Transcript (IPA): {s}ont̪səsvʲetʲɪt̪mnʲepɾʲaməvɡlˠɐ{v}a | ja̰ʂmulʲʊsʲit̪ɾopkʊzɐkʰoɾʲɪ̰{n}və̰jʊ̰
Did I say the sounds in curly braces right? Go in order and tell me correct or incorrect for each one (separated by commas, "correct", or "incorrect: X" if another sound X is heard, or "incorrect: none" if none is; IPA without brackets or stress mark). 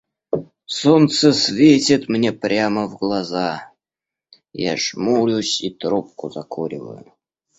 correct, incorrect: z, incorrect: none